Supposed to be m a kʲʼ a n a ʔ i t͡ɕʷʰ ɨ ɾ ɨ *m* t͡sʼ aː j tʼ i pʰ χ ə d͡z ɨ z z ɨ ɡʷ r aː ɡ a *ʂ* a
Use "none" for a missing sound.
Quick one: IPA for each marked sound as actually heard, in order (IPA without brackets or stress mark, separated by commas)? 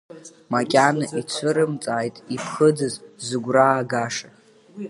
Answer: m, ʂ